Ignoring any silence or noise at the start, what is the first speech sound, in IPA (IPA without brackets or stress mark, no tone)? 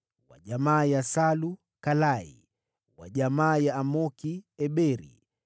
w